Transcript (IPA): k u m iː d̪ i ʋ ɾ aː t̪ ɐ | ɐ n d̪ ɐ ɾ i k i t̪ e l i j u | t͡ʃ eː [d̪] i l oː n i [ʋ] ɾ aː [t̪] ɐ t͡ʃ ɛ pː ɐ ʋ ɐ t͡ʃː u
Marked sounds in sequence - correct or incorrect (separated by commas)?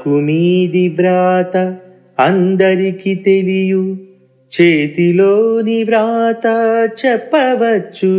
incorrect, correct, correct